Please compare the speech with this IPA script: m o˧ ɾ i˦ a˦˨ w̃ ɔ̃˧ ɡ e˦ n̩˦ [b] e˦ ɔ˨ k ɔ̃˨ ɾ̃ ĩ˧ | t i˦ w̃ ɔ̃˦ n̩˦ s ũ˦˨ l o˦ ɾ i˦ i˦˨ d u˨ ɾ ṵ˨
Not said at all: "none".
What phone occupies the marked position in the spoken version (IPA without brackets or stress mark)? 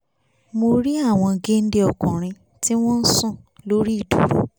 d